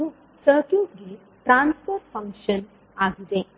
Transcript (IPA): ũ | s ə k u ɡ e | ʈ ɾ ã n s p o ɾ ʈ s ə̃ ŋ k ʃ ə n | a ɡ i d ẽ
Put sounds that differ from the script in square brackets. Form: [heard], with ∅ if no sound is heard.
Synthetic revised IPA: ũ | s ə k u ɡ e | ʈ ɾ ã n s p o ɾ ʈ [f] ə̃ ŋ k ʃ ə n | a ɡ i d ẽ